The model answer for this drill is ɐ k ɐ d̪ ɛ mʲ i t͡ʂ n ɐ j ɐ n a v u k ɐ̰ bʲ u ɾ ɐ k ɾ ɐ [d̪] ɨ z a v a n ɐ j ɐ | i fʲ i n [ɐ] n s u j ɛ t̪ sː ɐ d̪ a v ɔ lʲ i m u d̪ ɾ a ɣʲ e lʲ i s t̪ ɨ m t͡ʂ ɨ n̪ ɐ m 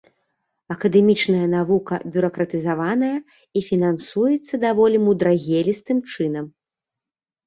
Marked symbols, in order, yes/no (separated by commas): no, no